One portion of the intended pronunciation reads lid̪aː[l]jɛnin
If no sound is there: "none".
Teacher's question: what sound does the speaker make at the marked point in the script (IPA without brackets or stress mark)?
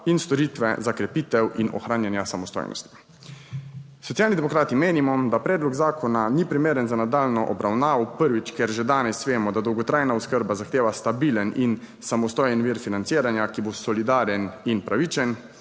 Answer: ɾ